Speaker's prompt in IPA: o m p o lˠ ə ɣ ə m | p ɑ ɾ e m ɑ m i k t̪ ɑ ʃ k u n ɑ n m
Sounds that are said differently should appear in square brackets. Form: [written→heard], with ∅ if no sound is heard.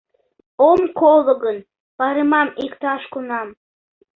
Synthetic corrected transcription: o m [p→k] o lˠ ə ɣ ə [m→n] | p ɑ ɾ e m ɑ m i k t̪ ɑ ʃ k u n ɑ [n→∅] m